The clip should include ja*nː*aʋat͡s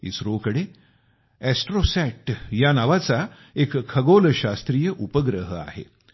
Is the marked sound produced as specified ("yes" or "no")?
no